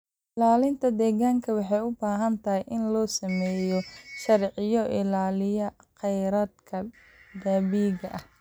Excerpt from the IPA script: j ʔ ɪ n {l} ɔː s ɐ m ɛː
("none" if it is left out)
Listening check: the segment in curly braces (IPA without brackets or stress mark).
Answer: l